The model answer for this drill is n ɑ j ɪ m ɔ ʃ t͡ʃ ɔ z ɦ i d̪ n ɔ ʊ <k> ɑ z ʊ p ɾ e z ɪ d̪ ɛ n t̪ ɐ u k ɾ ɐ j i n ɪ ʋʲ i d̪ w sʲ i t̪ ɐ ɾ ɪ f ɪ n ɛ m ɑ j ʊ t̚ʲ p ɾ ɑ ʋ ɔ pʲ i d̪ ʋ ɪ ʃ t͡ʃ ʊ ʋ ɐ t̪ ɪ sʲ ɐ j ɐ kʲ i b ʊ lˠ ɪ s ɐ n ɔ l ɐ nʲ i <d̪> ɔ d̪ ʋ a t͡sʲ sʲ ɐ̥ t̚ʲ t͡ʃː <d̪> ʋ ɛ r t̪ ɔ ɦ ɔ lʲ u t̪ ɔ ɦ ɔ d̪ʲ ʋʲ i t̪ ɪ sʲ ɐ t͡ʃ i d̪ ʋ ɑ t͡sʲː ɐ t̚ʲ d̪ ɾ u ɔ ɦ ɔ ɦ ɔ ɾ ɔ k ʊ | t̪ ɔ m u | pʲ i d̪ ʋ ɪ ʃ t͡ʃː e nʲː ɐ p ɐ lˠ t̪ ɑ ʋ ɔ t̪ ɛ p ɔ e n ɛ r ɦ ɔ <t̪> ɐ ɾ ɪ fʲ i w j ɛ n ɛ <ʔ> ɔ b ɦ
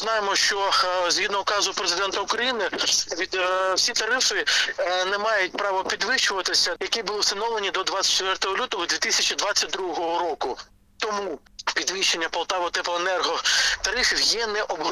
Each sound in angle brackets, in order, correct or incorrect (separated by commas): correct, correct, incorrect, correct, correct